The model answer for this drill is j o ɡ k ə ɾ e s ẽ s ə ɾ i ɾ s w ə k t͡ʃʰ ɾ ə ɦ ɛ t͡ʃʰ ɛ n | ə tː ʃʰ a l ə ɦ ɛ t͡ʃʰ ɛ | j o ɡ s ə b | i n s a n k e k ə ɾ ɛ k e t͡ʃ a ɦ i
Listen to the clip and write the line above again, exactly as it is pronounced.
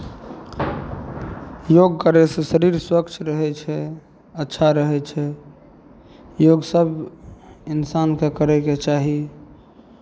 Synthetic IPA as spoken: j o ɡ k ə ɾ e s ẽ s ə ɾ i ɾ s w ə k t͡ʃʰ ɾ ə ɦ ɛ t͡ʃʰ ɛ | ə tː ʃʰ a ɾ ə ɦ ɛ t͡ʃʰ ɛ | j o ɡ s ə b | i n s a n k e k ə ɾ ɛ k e t͡ʃ a ɦ i